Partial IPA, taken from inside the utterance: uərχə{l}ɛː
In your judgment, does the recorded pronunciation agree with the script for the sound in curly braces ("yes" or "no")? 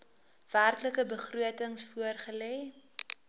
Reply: yes